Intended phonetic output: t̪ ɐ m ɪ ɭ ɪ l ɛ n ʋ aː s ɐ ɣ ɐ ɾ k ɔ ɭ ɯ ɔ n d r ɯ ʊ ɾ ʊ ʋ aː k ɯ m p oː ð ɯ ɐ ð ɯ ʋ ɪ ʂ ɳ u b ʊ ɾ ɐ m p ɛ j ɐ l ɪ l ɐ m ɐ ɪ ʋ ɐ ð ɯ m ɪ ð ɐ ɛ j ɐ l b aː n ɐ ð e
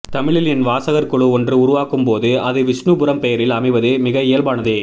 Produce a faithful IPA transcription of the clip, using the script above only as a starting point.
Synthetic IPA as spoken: t̪ ɐ m ɪ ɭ ɪ l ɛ n ʋ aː s ɐ ɣ ɐ ɾ k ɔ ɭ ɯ ɔ n d r ɯ ʊ ɾ ʊ ʋ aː k ɯ m p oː ð ɯ ɐ ð ɯ ʋ ɪ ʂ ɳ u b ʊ ɾ ɐ m p ɛ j ɐ ɾ ɪ l ɐ m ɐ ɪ ʋ ɐ ð ɯ m ɪ ɣ ɐ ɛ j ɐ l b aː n ɐ ð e